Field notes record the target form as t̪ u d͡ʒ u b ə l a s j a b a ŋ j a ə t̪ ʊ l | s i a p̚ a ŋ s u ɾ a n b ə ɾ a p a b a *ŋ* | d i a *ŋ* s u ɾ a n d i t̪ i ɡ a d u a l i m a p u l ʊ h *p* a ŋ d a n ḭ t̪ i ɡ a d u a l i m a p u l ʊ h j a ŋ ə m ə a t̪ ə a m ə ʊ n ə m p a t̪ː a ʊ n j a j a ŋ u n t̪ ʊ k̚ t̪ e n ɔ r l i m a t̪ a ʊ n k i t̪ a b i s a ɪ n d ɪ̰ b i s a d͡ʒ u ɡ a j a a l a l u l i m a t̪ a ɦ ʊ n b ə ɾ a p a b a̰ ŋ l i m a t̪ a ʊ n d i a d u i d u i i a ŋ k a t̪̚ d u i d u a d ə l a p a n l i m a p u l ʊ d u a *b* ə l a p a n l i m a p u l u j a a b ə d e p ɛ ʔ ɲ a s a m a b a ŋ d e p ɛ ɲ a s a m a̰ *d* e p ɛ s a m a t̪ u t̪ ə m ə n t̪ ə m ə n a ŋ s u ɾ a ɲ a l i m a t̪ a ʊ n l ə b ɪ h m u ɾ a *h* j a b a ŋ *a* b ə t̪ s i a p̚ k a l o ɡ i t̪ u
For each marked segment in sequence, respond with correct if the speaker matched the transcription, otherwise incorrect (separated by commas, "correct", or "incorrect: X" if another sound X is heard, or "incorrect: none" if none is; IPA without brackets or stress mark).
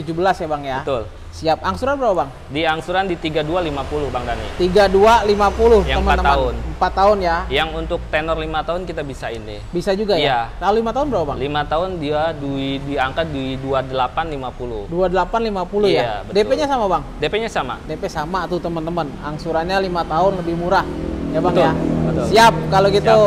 correct, correct, incorrect: b, incorrect: d, correct, correct, correct